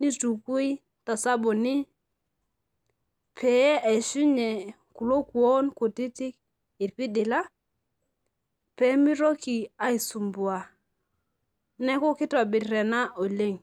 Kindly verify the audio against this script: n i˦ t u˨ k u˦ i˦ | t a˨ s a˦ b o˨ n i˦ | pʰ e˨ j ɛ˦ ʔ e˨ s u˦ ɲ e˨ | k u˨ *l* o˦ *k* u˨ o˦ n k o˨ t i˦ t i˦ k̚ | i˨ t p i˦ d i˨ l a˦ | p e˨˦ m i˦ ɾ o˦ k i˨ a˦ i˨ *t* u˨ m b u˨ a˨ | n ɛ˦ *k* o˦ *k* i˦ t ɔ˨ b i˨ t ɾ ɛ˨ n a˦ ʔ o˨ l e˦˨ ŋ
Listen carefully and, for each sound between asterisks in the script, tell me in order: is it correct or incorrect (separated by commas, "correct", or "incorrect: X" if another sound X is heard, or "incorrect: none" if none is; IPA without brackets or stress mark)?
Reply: correct, correct, incorrect: s, correct, correct